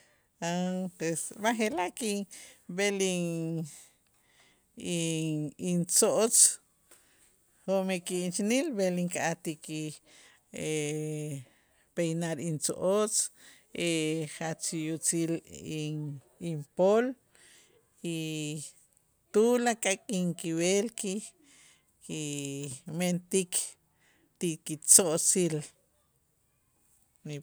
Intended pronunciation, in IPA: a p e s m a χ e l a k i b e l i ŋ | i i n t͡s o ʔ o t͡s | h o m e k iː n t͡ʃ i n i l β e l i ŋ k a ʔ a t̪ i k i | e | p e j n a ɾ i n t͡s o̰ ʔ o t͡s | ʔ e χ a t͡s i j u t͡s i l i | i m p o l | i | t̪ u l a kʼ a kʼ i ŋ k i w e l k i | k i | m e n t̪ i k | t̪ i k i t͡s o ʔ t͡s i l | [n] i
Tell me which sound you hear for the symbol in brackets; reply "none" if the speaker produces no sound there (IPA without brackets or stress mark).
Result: n